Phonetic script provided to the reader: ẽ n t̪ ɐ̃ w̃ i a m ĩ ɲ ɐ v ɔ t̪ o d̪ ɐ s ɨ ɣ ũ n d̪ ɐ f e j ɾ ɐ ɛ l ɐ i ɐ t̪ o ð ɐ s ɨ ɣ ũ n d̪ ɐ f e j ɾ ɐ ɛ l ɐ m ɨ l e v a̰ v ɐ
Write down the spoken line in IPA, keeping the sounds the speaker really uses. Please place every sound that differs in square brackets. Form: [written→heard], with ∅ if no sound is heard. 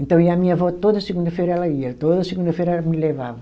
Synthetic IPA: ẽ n t̪ ɐ̃ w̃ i a m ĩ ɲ ɐ v ɔ t̪ o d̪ ɐ s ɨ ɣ ũ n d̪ ɐ f e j ɾ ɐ ɛ l ɐ i ɐ t̪ o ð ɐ s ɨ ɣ ũ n d̪ ɐ f e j ɾ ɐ ɛ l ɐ m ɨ l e v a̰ v ɐ